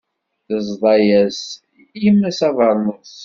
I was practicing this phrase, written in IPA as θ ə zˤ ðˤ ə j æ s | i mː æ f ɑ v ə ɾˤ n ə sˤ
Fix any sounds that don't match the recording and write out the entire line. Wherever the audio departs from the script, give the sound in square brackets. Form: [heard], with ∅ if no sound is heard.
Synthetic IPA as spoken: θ ə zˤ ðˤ [ɑ] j æ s | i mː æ [s] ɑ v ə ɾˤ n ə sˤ